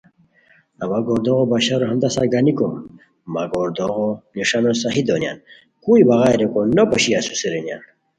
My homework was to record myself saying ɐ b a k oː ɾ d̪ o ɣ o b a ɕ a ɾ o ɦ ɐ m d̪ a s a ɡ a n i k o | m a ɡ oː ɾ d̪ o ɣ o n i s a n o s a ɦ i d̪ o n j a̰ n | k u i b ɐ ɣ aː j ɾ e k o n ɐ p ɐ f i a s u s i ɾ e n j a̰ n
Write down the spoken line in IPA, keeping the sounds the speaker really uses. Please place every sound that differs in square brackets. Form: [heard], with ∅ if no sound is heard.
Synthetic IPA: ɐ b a [ɡ] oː ɾ d̪ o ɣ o b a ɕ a ɾ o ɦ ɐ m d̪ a s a ɡ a n i k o | m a ɡ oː ɾ d̪ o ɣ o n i [ʂ] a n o s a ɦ i d̪ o n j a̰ n | k u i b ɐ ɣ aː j ɾ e k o n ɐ p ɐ [ɕ] i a s u s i ɾ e n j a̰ n

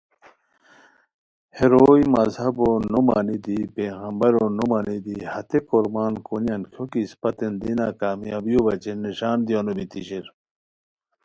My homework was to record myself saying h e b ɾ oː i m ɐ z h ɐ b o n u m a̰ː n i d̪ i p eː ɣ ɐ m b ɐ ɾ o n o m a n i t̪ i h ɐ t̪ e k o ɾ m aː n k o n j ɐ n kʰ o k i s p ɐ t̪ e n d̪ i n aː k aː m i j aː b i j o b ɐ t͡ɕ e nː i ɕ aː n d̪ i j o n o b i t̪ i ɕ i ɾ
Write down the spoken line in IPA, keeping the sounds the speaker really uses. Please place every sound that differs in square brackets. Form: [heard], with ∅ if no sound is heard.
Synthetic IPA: h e [∅] ɾ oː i m ɐ z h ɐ b o n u m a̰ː n i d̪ i p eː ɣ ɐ m b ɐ ɾ o n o m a n i [d̪] i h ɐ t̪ e k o ɾ m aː n k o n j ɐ n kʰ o k i s p ɐ t̪ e n d̪ i n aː k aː m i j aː b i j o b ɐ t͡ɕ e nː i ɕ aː n d̪ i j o n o b i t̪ i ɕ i ɾ

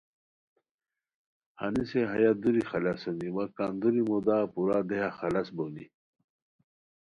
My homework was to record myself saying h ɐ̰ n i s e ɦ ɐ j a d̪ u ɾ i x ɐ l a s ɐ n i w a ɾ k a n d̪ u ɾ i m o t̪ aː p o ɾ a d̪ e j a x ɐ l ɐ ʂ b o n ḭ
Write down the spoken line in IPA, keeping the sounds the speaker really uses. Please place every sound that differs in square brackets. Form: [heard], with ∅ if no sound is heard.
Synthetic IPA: h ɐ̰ n i s e ɦ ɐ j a d̪ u ɾ i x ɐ l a s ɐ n i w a [∅] k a n d̪ u ɾ i m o [d̪] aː p [u] ɾ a d̪ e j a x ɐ l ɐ [s] b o n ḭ

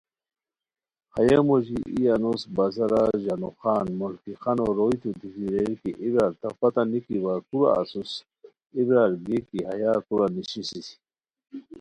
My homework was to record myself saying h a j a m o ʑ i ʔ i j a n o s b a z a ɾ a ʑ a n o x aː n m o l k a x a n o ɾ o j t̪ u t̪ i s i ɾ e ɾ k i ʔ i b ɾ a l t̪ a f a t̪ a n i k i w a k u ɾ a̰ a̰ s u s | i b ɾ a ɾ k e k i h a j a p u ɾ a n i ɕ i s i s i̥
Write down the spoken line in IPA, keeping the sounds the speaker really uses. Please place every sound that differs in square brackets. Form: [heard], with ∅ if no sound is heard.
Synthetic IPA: h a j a m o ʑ i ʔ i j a n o s b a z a ɾ a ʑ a n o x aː n m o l k [i] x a n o ɾ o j t̪ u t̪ i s i ɾ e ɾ k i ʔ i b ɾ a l t̪ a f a t̪ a n i k i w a k u ɾ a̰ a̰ s u s | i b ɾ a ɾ [ɡ] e k i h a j a [k] u ɾ a n i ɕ i s i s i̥

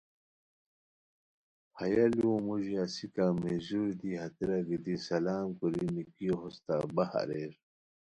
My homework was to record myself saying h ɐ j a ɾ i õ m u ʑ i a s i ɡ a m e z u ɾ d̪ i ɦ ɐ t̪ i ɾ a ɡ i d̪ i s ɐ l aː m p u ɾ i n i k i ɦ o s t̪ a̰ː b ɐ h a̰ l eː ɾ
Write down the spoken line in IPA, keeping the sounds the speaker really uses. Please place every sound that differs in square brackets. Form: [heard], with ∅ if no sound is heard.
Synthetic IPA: h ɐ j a [l] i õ m u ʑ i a s i [k] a m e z u ɾ d̪ i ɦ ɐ t̪ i ɾ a ɡ i d̪ i s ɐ l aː m [k] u ɾ i n i k i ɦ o s t̪ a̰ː b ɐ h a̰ [ɾ] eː ɾ

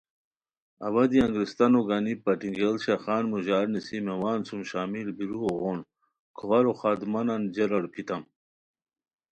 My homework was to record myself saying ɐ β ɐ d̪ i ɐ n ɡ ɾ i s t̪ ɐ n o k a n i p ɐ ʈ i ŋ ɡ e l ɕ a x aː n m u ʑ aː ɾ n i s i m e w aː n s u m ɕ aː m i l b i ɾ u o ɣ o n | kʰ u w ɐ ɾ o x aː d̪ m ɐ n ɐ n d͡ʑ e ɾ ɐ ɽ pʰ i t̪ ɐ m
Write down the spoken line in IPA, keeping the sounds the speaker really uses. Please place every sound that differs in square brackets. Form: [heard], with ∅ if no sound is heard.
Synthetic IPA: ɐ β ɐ d̪ i ɐ [ŋ] ɡ ɾ i s t̪ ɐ n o [ɡ] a n i p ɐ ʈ i ŋ ɡ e l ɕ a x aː n m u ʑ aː ɾ n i s i m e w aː n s u m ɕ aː m i l b i ɾ u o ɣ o n | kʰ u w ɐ ɾ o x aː d̪ m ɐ n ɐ n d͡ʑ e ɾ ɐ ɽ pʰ i t̪ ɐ m

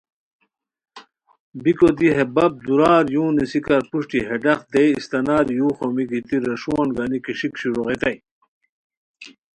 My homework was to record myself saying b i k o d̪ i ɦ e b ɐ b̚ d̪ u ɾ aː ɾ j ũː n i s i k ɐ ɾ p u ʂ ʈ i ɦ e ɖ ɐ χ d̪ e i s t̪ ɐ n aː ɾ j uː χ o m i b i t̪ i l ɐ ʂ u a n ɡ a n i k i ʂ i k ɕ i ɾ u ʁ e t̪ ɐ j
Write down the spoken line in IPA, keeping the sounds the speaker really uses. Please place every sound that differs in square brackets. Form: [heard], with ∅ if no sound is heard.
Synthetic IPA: b i k o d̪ i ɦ e b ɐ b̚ d̪ u ɾ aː ɾ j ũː n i s i k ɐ ɾ p u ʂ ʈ i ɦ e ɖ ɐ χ d̪ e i s t̪ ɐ n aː ɾ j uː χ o m i [ɡ] i t̪ i [ɾ] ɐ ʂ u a n ɡ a n i k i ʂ i k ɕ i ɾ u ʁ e t̪ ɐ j

